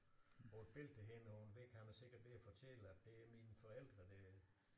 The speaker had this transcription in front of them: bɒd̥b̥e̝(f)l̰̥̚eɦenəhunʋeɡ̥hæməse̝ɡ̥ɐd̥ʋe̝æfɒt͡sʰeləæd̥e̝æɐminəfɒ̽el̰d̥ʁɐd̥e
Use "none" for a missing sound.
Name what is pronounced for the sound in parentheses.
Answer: none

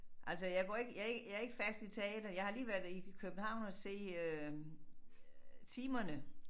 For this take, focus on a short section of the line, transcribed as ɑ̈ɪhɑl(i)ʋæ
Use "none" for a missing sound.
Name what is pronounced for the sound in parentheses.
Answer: iː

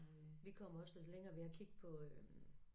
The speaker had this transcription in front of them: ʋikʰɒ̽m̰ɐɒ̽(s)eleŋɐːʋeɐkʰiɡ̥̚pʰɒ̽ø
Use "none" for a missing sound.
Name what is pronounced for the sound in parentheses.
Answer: s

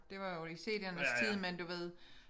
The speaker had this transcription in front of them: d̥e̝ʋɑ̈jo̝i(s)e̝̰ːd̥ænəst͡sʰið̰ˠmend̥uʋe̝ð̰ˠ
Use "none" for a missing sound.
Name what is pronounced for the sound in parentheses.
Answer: s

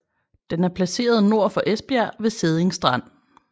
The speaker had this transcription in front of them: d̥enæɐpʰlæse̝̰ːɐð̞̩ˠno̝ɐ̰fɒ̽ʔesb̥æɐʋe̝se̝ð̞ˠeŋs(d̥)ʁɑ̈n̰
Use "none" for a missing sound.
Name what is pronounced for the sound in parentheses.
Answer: d̥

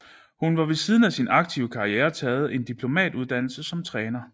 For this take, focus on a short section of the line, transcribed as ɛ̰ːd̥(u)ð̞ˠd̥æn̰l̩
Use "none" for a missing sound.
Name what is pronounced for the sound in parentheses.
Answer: u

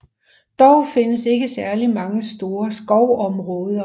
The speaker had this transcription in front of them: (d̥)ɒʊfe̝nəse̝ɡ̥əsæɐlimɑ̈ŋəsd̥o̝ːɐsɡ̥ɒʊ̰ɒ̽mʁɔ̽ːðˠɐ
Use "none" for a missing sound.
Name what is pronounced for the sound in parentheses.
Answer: d̥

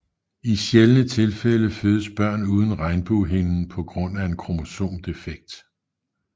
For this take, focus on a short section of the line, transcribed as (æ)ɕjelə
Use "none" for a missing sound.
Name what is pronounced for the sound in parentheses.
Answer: i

